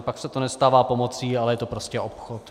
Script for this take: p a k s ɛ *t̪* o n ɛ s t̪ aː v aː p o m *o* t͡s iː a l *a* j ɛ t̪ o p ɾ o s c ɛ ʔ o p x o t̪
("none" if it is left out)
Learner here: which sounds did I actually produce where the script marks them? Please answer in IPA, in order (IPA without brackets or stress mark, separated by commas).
t̪, o, ɛ